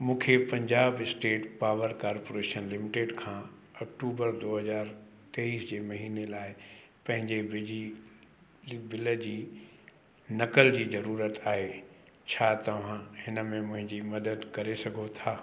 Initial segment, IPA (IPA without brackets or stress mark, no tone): m